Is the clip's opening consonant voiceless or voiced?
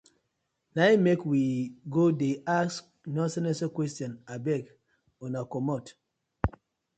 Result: voiced